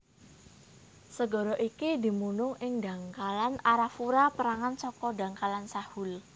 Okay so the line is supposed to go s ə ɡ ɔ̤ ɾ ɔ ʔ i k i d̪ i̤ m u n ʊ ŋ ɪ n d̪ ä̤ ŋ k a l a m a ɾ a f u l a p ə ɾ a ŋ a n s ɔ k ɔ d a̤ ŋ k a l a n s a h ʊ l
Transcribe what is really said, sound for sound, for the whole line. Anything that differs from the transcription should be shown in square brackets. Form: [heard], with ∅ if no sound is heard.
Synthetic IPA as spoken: s ə ɡ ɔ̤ ɾ ɔ ʔ i k i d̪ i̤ m u n ʊ ŋ ɪ [ŋ] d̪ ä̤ ŋ k a l a [n] a ɾ a f u [ɾ] a p ə ɾ a ŋ a n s ɔ k ɔ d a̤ ŋ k a l a n s a h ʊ l